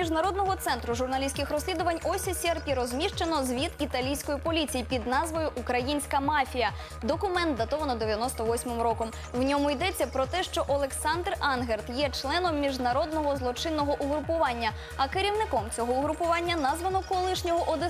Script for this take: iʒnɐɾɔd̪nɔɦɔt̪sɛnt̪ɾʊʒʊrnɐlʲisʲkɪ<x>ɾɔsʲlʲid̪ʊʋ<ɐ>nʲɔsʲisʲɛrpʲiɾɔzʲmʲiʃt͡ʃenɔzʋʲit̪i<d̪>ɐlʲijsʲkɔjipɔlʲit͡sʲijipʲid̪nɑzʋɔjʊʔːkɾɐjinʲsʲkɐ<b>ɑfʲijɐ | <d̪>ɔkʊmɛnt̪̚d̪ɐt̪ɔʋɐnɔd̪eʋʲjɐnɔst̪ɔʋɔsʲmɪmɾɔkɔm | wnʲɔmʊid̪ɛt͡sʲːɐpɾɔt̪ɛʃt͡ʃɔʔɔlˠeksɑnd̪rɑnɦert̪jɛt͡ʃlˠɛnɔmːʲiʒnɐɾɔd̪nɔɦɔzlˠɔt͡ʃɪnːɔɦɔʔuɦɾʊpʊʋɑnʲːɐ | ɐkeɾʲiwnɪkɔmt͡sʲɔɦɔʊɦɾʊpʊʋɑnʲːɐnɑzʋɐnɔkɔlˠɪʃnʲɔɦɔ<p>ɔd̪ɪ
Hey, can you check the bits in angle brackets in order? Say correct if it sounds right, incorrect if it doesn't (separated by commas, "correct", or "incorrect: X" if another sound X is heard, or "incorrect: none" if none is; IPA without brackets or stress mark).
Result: correct, correct, incorrect: t̪, incorrect: m, correct, incorrect: ʔ